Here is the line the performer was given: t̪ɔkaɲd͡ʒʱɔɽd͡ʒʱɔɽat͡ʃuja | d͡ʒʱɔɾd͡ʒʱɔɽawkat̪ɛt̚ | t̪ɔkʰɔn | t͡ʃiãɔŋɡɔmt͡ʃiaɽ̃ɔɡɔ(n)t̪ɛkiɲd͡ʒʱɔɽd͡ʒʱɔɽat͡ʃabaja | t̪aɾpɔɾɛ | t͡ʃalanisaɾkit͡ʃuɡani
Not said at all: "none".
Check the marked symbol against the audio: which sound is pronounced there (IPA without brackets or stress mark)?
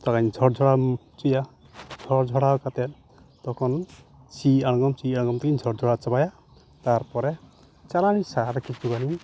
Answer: m